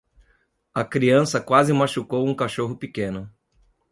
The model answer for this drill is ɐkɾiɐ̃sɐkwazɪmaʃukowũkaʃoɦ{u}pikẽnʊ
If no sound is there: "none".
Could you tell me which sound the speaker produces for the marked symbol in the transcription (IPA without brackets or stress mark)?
ʊ